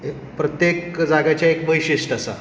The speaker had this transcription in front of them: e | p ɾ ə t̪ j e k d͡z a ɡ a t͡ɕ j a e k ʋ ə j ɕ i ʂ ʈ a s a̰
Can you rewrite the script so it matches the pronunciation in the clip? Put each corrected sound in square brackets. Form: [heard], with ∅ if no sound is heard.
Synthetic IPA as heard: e | p ɾ ə t̪ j e k d͡z a ɡ a t͡ɕ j a e k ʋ ə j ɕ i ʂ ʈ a s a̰